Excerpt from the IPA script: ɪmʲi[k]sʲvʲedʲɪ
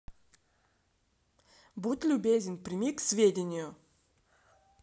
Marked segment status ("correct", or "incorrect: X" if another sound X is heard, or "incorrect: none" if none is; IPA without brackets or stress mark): correct